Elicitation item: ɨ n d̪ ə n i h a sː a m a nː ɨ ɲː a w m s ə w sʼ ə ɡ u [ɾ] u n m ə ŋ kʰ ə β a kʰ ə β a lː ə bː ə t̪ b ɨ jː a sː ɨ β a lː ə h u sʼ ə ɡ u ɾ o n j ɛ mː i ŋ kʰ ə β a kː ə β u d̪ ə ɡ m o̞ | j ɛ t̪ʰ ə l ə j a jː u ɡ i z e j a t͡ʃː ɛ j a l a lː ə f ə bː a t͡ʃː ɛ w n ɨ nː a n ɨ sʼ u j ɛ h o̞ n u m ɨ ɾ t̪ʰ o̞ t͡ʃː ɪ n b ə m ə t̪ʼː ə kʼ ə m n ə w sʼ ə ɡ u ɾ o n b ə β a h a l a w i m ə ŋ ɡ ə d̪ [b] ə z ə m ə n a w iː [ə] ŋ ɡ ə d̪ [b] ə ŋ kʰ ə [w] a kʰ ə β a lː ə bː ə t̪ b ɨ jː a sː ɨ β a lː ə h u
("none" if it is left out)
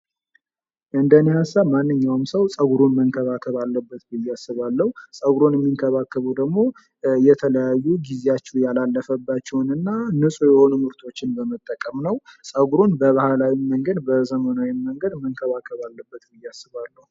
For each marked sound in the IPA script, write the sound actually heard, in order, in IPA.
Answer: ɾ, b, ə, m, β

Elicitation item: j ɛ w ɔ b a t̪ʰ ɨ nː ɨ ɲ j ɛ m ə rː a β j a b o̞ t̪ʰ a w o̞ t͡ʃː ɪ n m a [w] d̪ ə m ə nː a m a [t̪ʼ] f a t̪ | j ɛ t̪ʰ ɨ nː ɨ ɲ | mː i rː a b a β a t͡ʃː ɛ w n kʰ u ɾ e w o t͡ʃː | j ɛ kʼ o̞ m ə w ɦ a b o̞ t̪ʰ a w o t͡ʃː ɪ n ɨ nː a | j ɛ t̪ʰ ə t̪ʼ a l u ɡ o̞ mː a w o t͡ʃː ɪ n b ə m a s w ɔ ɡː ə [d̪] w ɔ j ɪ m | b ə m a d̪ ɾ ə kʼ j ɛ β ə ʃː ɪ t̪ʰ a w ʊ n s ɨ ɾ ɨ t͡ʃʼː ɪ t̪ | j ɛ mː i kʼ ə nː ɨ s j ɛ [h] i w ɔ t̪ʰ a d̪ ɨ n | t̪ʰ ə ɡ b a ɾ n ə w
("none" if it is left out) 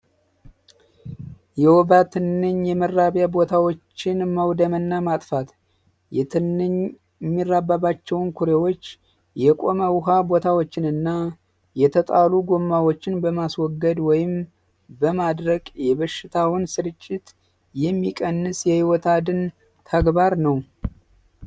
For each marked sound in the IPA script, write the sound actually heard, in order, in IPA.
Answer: w, t̪ʼ, d̪, h

